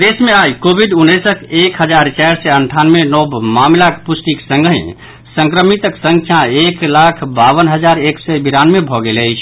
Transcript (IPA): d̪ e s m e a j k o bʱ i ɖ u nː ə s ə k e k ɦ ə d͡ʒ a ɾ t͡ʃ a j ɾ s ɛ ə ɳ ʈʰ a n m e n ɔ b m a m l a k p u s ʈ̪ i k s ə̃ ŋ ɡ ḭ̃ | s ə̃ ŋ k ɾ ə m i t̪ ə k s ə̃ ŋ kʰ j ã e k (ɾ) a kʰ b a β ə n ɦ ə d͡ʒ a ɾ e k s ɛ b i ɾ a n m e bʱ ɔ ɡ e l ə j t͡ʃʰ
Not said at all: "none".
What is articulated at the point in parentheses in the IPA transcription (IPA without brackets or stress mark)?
l